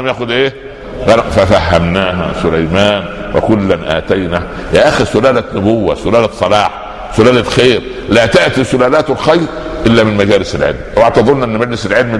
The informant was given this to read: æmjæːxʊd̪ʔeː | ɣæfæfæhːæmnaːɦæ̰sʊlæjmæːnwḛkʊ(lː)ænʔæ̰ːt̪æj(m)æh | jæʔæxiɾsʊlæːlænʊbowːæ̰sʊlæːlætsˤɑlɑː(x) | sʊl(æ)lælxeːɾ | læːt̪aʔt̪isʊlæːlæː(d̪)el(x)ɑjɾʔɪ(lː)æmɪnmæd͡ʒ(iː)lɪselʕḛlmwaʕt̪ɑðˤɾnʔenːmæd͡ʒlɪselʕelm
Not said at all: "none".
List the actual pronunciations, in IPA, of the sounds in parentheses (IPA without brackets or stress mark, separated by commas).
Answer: lː, n, ħ, æː, t̪, x, lː, æː